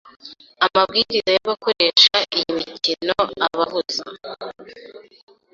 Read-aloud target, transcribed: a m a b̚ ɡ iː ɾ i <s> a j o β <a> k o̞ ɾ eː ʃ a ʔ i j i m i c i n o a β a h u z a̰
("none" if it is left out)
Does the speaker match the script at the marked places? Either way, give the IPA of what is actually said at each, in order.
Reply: z, a

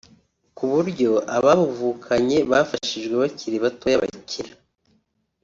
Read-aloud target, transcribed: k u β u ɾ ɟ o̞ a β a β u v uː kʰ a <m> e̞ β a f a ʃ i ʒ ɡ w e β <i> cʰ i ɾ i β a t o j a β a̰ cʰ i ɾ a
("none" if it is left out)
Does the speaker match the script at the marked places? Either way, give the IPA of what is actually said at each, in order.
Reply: ɲ, a

